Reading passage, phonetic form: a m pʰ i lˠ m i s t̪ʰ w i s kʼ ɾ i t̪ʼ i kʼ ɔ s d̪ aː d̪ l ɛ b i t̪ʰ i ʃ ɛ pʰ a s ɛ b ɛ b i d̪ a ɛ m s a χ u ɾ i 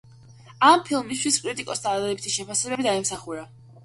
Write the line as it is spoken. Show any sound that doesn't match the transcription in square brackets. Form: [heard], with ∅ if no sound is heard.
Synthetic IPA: a m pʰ i lˠ m i s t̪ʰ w i s kʼ ɾ i t̪ʼ i kʼ ɔ s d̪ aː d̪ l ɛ b i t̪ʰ i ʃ ɛ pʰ a s ɛ b ɛ b i d̪ a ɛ m s a χ u ɾ [a]